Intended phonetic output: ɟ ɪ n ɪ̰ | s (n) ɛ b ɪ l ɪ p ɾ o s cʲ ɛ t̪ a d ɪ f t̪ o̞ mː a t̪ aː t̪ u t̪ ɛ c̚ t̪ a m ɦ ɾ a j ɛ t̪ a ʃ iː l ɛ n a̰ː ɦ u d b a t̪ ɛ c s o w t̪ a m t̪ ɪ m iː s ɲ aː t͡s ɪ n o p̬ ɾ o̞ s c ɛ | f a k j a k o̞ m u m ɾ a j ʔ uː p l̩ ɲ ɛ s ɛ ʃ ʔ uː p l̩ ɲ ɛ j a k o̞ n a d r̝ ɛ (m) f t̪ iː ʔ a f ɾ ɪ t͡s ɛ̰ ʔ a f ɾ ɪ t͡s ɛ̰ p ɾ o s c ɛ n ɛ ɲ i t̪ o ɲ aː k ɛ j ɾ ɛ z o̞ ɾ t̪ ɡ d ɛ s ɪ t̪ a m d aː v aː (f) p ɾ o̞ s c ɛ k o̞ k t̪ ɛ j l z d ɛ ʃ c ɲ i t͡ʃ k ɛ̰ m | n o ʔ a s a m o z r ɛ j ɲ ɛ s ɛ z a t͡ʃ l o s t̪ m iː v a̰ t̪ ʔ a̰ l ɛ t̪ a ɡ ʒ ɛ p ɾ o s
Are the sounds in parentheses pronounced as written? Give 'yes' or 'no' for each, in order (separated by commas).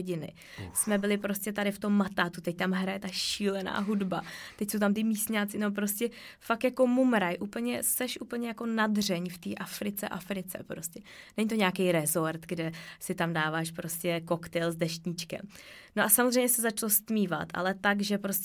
no, no, no